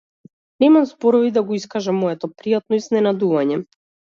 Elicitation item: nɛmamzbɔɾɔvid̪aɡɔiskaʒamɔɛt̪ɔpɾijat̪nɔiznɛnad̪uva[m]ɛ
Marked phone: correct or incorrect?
incorrect